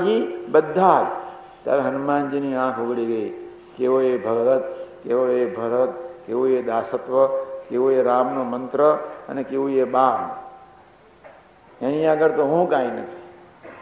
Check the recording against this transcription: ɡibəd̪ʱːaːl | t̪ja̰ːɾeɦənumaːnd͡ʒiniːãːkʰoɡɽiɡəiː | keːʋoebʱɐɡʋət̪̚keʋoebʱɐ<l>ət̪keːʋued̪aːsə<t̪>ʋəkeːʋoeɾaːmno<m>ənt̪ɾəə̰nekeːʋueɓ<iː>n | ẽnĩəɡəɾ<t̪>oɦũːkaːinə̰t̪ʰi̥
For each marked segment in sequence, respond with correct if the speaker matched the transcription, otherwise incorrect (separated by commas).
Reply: incorrect, correct, correct, incorrect, correct